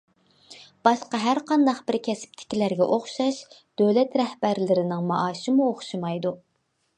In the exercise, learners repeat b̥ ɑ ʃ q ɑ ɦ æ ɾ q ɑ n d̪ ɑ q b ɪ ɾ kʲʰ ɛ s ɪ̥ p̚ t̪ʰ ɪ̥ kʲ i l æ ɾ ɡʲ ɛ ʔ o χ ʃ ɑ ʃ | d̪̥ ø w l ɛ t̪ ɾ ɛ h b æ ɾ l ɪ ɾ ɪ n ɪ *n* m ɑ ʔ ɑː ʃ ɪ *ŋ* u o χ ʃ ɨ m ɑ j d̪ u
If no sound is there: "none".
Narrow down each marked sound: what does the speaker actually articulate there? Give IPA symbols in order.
ŋ, m

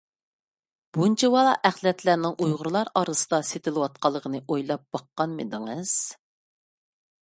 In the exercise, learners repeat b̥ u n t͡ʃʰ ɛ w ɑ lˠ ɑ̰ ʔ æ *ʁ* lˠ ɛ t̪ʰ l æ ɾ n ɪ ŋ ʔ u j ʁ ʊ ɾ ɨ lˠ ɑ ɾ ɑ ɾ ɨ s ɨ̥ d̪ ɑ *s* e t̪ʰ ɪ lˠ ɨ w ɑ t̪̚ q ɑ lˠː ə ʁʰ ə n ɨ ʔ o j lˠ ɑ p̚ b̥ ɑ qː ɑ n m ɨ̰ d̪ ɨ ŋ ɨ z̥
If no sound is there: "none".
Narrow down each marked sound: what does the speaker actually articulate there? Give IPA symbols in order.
χ, s

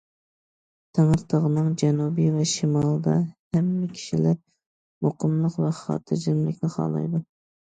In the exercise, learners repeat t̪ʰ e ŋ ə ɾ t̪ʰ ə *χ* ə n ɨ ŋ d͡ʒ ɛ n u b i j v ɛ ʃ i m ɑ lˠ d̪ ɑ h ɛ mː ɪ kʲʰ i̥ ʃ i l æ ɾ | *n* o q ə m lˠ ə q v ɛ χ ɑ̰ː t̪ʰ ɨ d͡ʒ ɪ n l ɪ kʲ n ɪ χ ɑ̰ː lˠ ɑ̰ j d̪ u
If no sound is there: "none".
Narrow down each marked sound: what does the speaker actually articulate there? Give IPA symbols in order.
ʁ, m

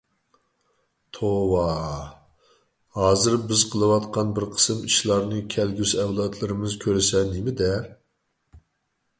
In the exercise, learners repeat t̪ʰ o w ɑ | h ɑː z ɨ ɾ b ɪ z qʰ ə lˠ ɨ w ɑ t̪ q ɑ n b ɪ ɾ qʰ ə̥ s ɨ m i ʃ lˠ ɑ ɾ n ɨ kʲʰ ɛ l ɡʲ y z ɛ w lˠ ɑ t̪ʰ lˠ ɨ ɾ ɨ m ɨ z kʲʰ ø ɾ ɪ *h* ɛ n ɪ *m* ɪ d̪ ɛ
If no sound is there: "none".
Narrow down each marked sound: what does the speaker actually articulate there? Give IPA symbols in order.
s, m

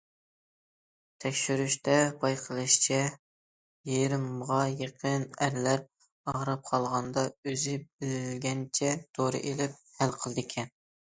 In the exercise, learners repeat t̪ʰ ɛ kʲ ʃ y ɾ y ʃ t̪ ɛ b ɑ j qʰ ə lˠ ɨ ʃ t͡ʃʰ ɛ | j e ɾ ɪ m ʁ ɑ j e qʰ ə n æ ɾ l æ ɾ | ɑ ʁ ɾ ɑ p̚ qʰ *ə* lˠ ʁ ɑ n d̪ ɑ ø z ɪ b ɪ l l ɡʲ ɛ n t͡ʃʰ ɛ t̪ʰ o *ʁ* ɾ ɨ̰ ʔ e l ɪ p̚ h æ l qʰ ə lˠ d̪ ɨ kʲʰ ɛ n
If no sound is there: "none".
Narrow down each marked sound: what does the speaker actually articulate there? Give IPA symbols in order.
ɑ, none

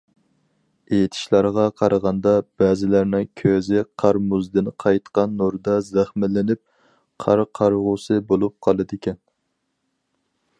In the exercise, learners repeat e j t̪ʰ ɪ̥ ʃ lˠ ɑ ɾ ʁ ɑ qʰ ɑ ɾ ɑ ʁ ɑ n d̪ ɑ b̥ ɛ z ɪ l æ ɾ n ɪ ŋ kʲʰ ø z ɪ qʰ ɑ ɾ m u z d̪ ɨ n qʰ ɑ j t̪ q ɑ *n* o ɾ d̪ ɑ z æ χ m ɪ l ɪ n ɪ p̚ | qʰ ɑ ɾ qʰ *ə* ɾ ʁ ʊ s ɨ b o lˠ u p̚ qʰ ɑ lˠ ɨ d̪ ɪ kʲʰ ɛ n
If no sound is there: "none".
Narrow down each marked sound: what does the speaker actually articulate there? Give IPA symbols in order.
nː, ɑ

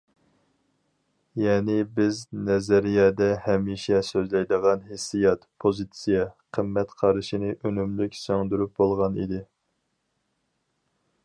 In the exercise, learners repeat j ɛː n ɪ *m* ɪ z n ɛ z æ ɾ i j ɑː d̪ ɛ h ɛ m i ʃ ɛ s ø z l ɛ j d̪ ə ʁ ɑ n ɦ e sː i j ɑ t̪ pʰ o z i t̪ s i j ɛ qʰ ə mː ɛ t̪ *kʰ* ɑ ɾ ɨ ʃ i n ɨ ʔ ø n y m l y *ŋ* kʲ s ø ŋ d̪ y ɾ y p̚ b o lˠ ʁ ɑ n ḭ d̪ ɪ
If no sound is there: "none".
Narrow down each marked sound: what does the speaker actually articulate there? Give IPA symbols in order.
b, qʰ, none

